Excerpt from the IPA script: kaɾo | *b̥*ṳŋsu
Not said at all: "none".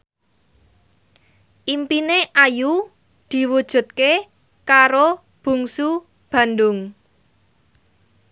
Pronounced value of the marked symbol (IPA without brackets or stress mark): b̥